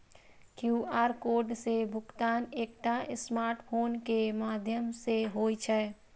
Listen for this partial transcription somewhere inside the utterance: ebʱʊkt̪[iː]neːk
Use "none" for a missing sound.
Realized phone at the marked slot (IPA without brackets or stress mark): aː